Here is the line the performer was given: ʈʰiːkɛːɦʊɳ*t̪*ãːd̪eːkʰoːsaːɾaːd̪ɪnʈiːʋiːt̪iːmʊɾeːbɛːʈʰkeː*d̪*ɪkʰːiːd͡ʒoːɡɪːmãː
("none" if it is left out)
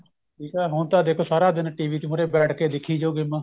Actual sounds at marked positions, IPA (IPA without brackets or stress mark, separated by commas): t̪, d̪